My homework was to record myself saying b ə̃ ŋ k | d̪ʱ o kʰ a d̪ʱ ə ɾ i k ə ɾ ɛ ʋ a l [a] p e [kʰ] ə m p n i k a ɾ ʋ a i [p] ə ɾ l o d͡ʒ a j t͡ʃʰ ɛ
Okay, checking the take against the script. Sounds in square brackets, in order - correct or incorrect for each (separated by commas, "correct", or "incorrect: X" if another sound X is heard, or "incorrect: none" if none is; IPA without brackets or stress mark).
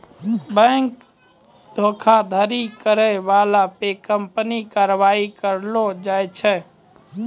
correct, incorrect: k, incorrect: k